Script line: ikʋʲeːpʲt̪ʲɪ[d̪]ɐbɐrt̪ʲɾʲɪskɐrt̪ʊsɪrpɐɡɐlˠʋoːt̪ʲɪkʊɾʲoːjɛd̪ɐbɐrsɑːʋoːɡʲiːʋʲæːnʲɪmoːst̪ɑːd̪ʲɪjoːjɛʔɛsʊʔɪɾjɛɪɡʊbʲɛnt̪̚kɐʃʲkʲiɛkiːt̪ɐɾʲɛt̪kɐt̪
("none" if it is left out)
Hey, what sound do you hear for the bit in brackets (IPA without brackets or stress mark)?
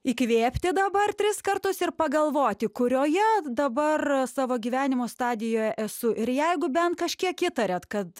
d̪